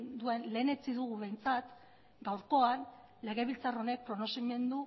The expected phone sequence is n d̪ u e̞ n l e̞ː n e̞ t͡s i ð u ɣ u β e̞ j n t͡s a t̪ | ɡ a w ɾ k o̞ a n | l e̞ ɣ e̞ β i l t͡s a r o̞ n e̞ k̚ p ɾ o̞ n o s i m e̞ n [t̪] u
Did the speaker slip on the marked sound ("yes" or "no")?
yes